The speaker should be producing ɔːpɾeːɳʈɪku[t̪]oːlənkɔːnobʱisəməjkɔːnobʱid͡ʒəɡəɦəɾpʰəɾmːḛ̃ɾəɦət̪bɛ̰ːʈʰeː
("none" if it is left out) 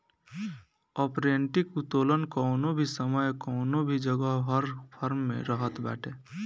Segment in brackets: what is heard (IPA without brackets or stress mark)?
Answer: t̪